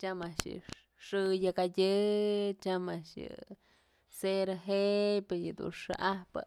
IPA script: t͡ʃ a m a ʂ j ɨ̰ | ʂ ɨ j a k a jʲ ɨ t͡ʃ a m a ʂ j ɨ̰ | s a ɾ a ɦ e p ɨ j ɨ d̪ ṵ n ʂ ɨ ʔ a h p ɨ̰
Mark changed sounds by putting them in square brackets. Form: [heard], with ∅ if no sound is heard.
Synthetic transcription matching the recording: t͡ʃ a m a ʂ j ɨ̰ | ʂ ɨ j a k a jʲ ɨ t͡ʃ a m a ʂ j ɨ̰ | s [e] ɾ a ɦ e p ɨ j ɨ d̪ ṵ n ʂ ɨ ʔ a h p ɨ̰